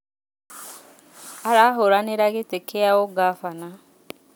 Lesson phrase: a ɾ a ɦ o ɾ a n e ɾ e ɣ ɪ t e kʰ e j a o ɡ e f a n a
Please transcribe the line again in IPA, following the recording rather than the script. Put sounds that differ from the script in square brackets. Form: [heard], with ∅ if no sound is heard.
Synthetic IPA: a ɾ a ɦ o ɾ a n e ɾ [a] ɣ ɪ t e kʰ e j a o ɡ [a] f a n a